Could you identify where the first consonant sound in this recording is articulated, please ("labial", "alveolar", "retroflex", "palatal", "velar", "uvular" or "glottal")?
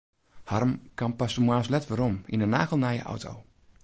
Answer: glottal